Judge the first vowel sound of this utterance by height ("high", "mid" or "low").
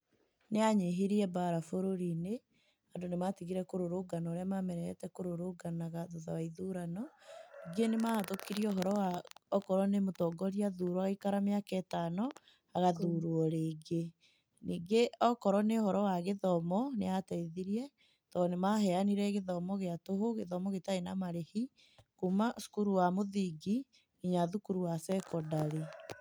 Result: mid